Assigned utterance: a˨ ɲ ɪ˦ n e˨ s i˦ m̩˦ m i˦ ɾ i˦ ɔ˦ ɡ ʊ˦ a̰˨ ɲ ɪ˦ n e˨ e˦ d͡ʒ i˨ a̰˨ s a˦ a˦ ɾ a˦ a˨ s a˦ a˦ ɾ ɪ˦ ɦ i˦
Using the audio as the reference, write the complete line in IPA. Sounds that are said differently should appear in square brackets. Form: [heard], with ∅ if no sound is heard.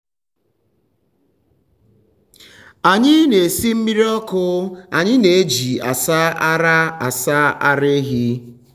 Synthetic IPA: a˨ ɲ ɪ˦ n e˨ s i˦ m̩˦ m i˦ ɾ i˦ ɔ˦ [k] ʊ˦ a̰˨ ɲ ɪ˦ n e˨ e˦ d͡ʒ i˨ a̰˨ s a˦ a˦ ɾ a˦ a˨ s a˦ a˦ ɾ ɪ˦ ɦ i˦

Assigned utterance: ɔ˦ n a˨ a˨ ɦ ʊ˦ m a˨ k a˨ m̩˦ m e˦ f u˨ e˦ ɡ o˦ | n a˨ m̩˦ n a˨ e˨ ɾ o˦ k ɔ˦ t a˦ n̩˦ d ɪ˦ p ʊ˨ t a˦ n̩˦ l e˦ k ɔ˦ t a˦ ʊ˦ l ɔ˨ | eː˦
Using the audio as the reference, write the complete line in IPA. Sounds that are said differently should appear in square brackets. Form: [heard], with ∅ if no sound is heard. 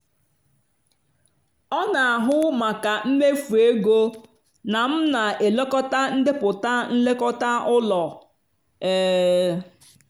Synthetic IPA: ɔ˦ n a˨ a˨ ɦ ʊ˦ m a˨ k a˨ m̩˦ m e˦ f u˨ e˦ ɡ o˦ | n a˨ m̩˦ n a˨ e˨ [l] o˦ k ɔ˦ t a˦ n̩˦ d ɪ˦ p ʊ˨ t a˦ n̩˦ l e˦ k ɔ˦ t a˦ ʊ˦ l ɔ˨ | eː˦

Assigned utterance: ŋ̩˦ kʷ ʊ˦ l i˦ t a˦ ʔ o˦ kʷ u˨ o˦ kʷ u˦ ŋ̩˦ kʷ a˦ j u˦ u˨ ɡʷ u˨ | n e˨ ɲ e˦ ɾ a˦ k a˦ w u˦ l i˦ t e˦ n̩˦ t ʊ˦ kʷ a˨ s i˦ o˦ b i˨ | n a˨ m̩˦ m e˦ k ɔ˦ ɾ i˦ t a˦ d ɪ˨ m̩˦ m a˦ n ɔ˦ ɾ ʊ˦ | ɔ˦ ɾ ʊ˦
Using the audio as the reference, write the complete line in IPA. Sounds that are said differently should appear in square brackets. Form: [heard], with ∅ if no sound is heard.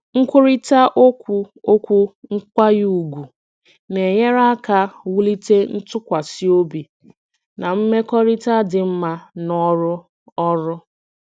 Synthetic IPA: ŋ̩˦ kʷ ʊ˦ [ɾ] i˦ t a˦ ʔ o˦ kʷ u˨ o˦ kʷ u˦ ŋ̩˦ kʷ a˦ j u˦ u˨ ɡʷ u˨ | n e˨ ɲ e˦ ɾ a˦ k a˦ w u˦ l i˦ t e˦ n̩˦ t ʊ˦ kʷ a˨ s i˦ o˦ b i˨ | n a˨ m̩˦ m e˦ k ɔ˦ ɾ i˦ t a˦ d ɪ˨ m̩˦ m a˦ n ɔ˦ ɾ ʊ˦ | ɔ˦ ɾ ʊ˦

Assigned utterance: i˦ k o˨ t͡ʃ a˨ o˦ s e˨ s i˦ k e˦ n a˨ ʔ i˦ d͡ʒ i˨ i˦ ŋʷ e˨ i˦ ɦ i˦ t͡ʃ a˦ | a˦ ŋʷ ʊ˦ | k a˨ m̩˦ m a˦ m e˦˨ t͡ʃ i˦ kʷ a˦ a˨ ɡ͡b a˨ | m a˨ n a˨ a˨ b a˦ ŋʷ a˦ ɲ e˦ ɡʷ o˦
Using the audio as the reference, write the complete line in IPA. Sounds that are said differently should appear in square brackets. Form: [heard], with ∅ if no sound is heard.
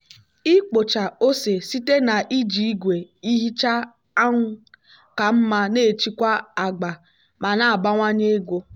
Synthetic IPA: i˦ [k͡p] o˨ t͡ʃ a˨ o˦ s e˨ s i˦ [t] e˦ n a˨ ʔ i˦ d͡ʒ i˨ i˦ [ɡʷ] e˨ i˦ ɦ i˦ t͡ʃ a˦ | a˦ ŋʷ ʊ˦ | k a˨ m̩˦ m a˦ [n] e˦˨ t͡ʃ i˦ kʷ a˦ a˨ ɡ͡b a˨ | m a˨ n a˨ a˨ b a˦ ŋʷ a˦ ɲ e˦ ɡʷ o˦

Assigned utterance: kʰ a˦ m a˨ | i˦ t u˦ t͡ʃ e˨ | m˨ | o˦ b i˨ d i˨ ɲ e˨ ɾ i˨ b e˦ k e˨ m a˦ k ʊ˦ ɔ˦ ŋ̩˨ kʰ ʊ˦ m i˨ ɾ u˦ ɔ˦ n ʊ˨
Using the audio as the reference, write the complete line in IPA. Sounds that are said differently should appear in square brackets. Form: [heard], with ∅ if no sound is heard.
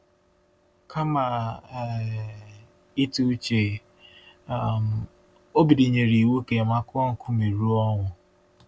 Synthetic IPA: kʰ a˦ m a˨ | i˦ t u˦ t͡ʃ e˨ | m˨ | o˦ b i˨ d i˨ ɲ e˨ ɾ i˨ [w] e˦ k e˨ m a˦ k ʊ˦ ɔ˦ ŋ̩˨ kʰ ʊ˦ m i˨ ɾ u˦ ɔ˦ [ŋ] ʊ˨

